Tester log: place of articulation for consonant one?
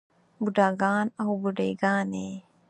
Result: labial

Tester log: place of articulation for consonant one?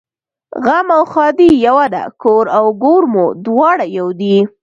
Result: velar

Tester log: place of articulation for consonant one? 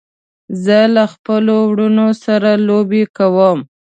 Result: alveolar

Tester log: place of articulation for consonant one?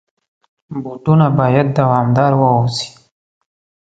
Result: labial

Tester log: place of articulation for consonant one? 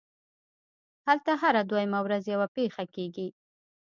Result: glottal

